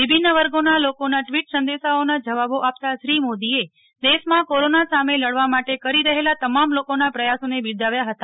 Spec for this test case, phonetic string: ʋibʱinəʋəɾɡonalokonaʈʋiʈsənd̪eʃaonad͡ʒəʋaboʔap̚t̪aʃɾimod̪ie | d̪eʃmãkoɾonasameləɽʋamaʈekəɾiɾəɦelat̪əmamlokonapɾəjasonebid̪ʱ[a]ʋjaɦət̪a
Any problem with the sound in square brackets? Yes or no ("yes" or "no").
no